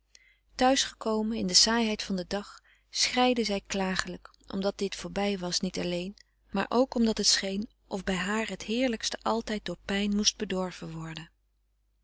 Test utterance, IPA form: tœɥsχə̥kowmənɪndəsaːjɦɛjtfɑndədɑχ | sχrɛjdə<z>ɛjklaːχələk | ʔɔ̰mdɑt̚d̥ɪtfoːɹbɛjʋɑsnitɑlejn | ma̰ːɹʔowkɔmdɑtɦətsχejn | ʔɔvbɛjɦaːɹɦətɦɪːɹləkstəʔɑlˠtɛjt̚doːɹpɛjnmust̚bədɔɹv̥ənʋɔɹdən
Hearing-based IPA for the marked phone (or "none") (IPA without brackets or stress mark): z